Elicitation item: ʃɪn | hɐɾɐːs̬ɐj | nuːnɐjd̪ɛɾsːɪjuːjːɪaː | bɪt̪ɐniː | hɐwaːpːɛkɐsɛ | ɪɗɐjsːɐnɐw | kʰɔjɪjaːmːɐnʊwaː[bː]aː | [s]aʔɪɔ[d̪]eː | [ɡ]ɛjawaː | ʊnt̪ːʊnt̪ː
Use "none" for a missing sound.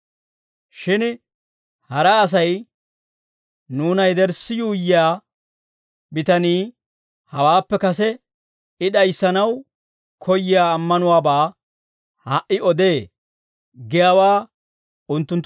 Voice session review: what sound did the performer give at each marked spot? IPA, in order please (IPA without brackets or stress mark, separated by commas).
b, h, d̪, ɡ